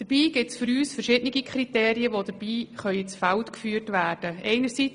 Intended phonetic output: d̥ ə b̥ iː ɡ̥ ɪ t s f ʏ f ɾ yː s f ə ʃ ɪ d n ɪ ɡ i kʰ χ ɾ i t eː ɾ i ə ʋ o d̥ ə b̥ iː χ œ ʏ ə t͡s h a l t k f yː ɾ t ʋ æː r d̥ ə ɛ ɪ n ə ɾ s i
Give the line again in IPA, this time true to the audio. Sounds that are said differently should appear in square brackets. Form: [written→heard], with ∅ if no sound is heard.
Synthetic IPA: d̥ ə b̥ iː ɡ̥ ɪ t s f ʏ [f→∅] ɾ yː s f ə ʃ ɪ d n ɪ ɡ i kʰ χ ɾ i t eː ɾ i ə ʋ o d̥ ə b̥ iː χ œ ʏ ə t͡s [h→f] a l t k f yː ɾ t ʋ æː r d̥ ə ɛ ɪ n ə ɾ s i